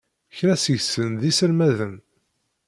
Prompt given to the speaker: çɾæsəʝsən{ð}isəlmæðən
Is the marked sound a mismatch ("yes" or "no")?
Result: no